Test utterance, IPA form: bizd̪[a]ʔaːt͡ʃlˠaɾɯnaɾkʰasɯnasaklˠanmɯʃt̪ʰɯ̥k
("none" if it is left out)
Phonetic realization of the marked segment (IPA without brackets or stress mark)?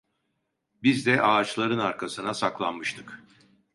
ɛ